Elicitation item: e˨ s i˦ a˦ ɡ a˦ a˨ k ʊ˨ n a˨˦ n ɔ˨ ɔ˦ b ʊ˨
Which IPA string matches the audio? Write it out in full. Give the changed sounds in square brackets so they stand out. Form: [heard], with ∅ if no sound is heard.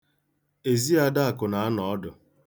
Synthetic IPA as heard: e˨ [z] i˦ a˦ [d] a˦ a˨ k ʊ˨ n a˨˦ n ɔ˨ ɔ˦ [d] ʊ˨